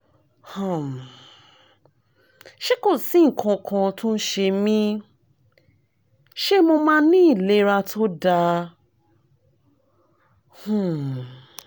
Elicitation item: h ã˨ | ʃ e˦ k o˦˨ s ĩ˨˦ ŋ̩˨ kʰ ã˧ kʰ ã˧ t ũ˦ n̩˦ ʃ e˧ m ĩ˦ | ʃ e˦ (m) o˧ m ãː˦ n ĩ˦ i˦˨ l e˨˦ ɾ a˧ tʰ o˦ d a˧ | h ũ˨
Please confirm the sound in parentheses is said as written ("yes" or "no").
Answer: yes